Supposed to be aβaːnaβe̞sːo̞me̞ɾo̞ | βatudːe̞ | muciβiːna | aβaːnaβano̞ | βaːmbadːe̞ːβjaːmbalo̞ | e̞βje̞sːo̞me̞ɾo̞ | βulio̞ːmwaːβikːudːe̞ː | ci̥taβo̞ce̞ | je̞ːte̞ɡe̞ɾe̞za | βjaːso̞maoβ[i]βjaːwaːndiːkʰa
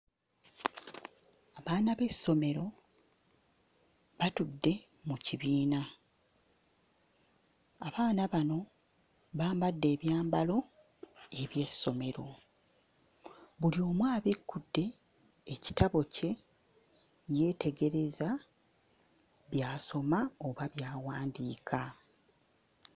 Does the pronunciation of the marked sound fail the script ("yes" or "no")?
yes